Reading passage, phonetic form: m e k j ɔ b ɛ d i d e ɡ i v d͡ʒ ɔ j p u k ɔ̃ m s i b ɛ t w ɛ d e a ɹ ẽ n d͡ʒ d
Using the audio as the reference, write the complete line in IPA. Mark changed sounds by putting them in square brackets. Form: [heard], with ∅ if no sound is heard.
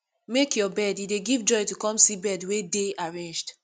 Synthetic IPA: m e k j ɔ b ɛ d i d e ɡ i v d͡ʒ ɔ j [t] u k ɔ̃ m s i b ɛ [d] w [e] d e a ɹ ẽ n d͡ʒ d